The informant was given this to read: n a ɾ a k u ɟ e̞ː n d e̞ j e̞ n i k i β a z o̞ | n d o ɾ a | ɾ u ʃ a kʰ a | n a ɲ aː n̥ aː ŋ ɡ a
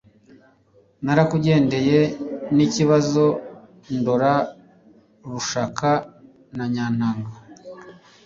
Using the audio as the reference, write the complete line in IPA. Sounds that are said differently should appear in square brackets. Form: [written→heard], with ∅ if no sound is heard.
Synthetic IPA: n a ɾ a k u ɟ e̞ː n d e̞ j e̞ n i [k→c] i β a z o̞ | n d o ɾ a | ɾ u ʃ a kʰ a | n a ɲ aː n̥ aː ŋ ɡ a